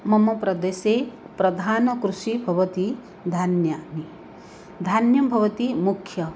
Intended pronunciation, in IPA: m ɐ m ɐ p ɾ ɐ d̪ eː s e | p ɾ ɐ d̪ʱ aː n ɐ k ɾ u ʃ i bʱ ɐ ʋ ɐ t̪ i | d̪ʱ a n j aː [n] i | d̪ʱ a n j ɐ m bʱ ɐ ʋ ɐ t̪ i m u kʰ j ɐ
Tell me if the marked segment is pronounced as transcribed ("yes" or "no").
yes